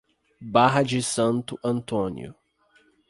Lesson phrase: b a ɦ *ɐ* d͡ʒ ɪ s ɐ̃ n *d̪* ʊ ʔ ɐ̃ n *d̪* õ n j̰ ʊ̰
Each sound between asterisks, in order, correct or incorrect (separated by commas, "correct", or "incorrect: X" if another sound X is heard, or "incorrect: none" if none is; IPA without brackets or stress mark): correct, incorrect: t̪, incorrect: t̪